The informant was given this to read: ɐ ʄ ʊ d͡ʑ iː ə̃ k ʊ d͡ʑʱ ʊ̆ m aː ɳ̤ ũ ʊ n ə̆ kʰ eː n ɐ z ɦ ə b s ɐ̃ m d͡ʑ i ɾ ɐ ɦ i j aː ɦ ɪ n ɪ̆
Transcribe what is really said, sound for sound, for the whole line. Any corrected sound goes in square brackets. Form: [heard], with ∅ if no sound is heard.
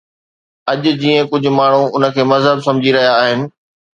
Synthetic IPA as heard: ɐ ʄ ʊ d͡ʑ iː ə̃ k ʊ d͡ʑʱ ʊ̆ m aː ɳ̤ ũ ʊ n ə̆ kʰ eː [m] ɐ z ɦ ə b s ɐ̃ m d͡ʑ i ɾ ɐ ɦ i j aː ɦ ɪ n ɪ̆